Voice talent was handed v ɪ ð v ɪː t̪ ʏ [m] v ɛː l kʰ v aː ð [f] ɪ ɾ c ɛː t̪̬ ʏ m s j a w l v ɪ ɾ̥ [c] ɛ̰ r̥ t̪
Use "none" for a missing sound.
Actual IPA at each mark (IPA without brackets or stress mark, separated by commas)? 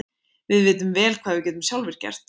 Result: m, v, c